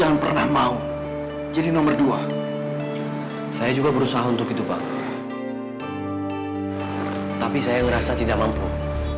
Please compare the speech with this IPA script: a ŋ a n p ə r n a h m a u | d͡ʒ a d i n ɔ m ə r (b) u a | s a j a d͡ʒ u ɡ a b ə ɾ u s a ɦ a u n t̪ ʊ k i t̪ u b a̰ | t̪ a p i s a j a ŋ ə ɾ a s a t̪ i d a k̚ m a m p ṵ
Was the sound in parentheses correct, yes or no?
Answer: no